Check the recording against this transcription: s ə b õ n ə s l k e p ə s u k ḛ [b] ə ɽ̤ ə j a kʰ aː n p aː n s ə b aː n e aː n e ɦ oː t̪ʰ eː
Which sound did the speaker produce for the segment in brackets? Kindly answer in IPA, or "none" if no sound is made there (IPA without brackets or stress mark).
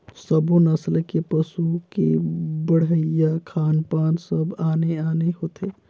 b